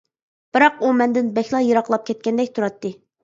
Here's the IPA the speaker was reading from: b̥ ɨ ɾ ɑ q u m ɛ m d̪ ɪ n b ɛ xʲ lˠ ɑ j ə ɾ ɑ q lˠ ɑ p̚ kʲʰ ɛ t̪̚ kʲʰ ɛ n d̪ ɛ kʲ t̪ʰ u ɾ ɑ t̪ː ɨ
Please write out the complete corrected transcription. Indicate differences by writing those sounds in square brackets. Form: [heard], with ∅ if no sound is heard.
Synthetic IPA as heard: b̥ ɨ ɾ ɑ q u m ɛ [n] d̪ ɪ n b ɛ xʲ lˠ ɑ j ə ɾ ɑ q lˠ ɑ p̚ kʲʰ ɛ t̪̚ [kʲ] ɛ n d̪ ɛ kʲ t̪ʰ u ɾ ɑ t̪ː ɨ